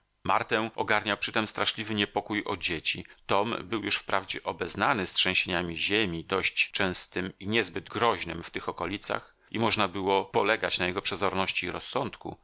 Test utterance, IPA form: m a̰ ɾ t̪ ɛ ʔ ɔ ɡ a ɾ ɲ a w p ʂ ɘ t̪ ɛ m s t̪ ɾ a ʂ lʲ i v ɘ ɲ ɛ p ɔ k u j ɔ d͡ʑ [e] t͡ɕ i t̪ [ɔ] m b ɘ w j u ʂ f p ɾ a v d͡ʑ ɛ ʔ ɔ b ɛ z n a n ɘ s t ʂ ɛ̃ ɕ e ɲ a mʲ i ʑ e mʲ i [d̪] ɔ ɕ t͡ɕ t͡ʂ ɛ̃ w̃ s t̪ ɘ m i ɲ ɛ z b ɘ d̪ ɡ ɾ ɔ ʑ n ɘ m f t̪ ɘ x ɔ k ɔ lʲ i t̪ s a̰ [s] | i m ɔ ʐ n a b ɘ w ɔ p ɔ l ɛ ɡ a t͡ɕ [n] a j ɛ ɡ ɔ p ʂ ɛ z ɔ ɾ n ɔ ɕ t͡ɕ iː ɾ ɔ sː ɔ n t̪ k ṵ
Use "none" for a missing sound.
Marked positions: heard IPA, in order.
e, ɔ, d̪, x, n

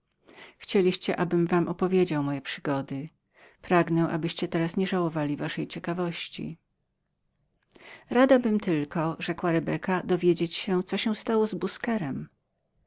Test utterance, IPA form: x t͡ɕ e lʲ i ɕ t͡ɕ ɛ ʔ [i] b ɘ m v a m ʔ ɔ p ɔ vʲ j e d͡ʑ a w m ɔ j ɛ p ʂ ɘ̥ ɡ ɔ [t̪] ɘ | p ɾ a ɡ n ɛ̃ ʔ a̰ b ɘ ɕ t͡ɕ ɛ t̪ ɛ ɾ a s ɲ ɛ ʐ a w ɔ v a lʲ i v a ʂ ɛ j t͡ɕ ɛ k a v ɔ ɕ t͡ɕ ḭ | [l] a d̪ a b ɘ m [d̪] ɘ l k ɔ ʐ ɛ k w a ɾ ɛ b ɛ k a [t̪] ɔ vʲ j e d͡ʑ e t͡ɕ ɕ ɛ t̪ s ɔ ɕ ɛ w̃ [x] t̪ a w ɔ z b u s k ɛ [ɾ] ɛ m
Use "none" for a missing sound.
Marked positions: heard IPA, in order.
a, d̪, ɾ, t̪, d̪, s, ɾ

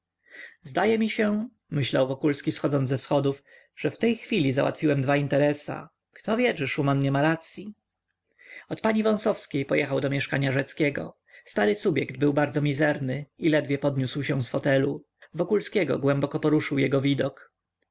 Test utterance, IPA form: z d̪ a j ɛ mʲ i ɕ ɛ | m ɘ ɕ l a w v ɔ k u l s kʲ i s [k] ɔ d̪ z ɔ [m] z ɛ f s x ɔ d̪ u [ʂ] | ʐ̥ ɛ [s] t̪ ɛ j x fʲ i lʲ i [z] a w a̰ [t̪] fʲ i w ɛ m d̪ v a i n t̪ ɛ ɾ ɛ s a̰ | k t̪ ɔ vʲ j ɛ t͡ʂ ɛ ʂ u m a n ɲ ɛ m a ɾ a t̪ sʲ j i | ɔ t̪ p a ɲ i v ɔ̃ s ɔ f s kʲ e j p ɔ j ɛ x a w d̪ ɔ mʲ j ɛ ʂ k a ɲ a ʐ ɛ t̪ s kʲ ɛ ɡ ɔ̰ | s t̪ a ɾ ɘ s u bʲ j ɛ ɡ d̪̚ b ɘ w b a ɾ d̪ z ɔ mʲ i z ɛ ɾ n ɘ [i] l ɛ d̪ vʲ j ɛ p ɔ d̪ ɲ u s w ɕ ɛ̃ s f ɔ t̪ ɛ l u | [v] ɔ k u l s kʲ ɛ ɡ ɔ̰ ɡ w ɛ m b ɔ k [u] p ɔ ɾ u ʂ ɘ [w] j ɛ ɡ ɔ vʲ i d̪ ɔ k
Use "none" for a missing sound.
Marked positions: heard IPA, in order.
x, n, f, f, z, t̪, i, v, ɔ, w

